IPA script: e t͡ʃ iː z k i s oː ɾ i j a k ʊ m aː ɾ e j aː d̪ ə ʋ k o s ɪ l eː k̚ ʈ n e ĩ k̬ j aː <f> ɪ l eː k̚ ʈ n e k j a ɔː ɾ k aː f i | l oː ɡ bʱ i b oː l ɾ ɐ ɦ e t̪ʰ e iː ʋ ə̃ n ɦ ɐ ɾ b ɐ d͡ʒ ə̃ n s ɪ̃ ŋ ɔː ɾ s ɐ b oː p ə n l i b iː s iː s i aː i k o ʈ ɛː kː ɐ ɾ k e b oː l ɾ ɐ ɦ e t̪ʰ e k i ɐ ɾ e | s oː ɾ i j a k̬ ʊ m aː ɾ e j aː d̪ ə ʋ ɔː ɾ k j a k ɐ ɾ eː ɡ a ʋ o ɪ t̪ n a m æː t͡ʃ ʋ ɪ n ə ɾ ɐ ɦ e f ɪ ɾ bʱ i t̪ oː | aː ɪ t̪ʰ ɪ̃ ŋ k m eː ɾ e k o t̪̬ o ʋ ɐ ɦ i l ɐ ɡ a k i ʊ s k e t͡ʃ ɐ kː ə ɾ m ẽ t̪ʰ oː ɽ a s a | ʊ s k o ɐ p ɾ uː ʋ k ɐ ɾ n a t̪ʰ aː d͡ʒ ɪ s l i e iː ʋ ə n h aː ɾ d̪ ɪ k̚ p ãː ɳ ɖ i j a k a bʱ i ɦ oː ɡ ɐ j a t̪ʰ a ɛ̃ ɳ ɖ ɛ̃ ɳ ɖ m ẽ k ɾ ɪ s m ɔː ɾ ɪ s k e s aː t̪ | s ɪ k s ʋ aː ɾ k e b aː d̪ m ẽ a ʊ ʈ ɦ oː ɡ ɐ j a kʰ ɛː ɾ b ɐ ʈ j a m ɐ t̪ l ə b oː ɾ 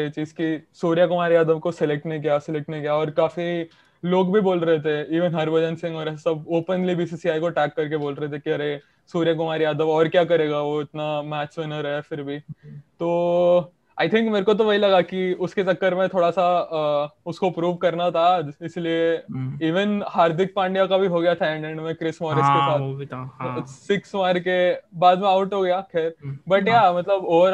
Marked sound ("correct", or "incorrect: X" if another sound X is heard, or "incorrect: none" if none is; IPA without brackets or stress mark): incorrect: s